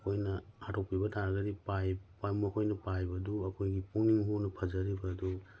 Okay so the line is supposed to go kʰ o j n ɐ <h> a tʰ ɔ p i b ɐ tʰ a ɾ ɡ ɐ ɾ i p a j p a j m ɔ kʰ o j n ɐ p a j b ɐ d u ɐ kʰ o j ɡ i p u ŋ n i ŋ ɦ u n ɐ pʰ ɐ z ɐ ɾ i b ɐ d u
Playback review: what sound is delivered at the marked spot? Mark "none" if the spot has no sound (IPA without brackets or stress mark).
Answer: h